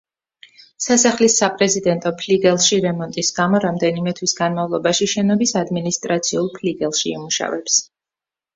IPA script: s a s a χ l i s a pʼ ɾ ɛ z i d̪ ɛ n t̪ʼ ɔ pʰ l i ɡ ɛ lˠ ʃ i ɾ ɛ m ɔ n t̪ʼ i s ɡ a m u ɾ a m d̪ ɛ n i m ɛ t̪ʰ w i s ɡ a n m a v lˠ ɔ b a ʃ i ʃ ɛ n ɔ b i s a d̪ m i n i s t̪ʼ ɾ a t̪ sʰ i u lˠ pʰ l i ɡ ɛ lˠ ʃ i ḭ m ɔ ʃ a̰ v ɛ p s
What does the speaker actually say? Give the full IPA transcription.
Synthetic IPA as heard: s a s a χ l i s a pʼ ɾ ɛ z i d̪ ɛ n t̪ʼ ɔ pʰ l i ɡ ɛ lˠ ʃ i ɾ ɛ m ɔ n t̪ʼ i s ɡ a m ɔ ɾ a m d̪ ɛ n i m ɛ t̪ʰ w i s ɡ a n m a v lˠ ɔ b a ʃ i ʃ ɛ n ɔ b i s a d̪ m i n i s t̪ʼ ɾ a t̪ sʰ i u lˠ pʰ l i ɡ ɛ lˠ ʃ i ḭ m u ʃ a̰ v ɛ p s

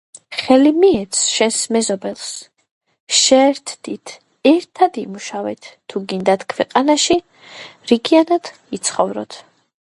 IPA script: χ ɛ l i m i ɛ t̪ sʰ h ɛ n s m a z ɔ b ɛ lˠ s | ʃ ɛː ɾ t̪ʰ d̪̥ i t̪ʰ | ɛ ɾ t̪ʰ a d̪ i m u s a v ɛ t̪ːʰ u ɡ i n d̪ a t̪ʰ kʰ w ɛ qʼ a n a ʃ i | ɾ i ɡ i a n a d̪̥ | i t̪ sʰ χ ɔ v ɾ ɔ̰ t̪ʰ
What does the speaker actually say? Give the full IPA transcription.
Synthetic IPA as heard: χ ɛ l i m i ɛ t̪ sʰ ʃ ɛ n s m ɛ z ɔ b ɛ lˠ s | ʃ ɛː ɾ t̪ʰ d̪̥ i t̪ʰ | ɛ ɾ t̪ʰ a d̪ i m u ʃ a v ɛ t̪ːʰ u ɡ i n d̪ a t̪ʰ kʰ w ɛ qʼ a n a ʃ i | ɾ i ɡ i a n a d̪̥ | i t̪ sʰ χ ɔ v ɾ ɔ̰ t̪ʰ

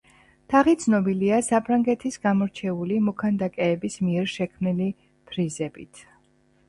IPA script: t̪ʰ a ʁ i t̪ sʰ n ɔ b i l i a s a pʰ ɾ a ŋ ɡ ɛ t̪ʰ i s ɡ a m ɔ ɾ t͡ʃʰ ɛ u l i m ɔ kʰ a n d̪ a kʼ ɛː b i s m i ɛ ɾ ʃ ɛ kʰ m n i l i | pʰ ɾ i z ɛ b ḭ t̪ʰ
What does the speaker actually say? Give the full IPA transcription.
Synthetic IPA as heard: t̪ʰ a ʁ i t̪ sʰ n ɔ b i l i a s a pʰ ɾ a ŋ ɡ ɛ t̪ʰ i s ɡ a m ɔ ɾ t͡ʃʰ ɛ u l i m ɔ kʰ a n d̪ a kʼ ɛː b i s m i ɛ ɾ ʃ ɛ kʰ m n i l i | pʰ ɾ i z ɛ b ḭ t̪ʰ

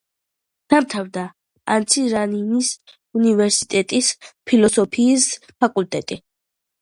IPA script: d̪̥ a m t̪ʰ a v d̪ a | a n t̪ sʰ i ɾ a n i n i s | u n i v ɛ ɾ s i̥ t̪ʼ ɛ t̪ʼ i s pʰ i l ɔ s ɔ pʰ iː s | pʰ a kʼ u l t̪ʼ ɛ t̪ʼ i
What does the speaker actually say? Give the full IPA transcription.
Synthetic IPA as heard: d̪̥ a m t̪ʰ a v d̪ a | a n t̪ sʰ i ɾ a n i n i s | u n i v ɛ ɾ s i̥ t̪ʼ ɛ t̪ʼ i s pʰ i l ɔ s ɔ pʰ iː s | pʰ a kʼ u l t̪ʼ ɛ t̪ʼ i

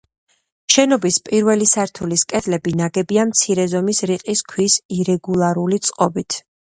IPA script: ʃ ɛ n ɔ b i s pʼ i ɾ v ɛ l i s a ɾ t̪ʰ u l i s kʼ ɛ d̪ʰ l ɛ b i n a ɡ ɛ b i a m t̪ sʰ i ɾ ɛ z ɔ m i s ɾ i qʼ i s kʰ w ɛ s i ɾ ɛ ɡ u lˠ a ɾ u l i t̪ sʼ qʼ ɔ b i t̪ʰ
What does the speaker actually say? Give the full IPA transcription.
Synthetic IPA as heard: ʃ ɛ n ɔ b i s pʼ i ɾ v ɛ l i s a ɾ t̪ʰ u l i s kʼ ɛ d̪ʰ l ɛ b i n a ɡ ɛ b i a m t̪ sʰ i ɾ ɛ z ɔ m i s ɾ i qʼ i s kʰ w i s i ɾ ɛ ɡ u lˠ a ɾ u l i t̪ sʼ qʼ ɔ b i t̪ʰ

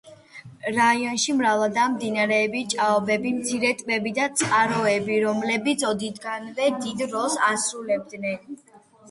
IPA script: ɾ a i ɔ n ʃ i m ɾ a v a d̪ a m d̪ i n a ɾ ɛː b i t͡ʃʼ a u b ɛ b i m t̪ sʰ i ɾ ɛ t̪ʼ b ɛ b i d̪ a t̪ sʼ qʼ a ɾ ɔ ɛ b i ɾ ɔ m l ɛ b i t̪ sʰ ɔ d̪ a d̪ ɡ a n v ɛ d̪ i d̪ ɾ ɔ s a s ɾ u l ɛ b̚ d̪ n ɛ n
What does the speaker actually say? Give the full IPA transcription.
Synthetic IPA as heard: ɾ a i ɔ n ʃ i m ɾ a v a d̪ a m d̪ i n a ɾ ɛː b i t͡ʃʼ a ɔ b ɛ b i m t̪ sʰ i ɾ ɛ t̪ʼ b ɛ b i d̪ a t̪ sʼ qʼ a ɾ ɔ ɛ b i ɾ ɔ m l ɛ b i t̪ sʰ ɔ d̪ i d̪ ɡ a n v ɛ d̪ i d̪ ɾ ɔ s a s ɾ u l ɛ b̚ d̪ n ɛ n

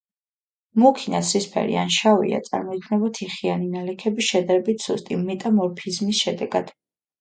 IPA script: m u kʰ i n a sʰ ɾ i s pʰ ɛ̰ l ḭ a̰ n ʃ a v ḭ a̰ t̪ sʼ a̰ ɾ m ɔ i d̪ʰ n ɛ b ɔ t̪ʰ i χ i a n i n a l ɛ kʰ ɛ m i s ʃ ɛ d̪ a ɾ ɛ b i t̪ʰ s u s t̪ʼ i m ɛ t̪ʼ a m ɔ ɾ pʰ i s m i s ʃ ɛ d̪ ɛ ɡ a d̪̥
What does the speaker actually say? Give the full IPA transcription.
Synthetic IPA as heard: m u kʰ i n a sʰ ɾ i s pʰ ɛ̰ ɾ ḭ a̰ n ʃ a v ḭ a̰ t̪ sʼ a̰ ɾ m ɔ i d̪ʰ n ɛ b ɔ t̪ʰ i χ i a n i n a l ɛ kʰ ɛ b i s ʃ ɛ d̪ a ɾ ɛ b i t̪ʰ s u s t̪ʼ i m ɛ t̪ʼ a m ɔ ɾ pʰ i z m i s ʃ ɛ d̪ ɛ ɡ a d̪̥

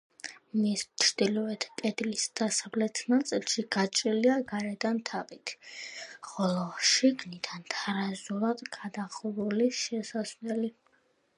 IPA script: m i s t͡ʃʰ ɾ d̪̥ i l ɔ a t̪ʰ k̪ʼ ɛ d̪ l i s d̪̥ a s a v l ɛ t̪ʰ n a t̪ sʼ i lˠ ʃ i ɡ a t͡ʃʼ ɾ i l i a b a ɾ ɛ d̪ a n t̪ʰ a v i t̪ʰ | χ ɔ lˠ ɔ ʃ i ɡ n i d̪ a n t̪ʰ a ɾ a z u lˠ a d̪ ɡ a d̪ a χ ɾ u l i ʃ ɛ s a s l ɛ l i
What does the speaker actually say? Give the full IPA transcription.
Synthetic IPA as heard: m i s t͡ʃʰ ɾ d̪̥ i l ɔ ɛ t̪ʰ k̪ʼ ɛ d̪ l i s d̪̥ a s a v l ɛ t̪ʰ n a t̪ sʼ i lˠ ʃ i ɡ a t͡ʃʼ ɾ i l i a ɡ a ɾ ɛ d̪ a n t̪ʰ a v i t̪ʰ | χ ɔ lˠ ɔ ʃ i ɡ n i d̪ a n t̪ʰ a ɾ a z u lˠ a d̪ ɡ a d̪ a χ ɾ u l i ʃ ɛ s a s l ɛ l i

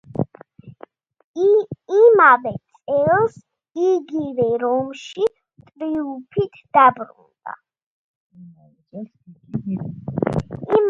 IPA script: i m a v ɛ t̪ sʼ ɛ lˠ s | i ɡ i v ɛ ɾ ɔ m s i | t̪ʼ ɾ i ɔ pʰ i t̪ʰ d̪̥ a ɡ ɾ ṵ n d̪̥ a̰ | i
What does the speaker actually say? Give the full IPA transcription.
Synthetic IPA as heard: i m a v ɛ t̪ sʼ ɛ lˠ s | i ɡ i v ɛ ɾ ɔ m ʃ i | t̪ʼ ɾ i u pʰ i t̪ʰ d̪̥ a b ɾ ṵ n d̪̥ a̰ | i

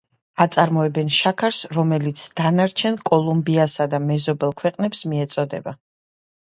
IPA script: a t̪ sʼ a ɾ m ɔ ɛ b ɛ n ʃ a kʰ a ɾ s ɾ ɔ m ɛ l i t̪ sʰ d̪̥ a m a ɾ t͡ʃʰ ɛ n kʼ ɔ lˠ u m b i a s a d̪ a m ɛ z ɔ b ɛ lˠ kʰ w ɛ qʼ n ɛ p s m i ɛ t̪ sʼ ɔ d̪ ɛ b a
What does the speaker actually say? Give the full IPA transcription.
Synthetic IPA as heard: a t̪ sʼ a ɾ m ɔ ɛ b ɛ n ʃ a kʰ a ɾ s ɾ ɔ m ɛ l i t̪ sʰ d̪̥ a n a ɾ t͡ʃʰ ɛ n kʼ ɔ lˠ u m b i a s a d̪ a m ɛ z ɔ b ɛ lˠ kʰ w ɛ qʼ n ɛ p s m i ɛ t̪ sʼ ɔ d̪ ɛ b a

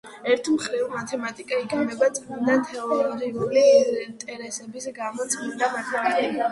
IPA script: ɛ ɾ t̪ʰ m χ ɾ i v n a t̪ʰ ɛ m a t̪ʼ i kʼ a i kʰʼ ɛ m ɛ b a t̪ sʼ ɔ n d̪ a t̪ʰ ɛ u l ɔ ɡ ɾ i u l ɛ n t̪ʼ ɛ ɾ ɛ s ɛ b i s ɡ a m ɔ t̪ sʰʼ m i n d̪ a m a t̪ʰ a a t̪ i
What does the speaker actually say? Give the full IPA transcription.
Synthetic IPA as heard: ɛ ɾ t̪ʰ m χ ɾ i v m a t̪ʰ ɛ m a t̪ʼ i kʼ a i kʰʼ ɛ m ɛ b a t̪ sʼ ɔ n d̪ a t̪ʰ ɛ ɔ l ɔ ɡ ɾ i u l i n t̪ʼ ɛ ɾ ɛ s ɛ b i s ɡ a m ɔ t̪ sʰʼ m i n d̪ a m a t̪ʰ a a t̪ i

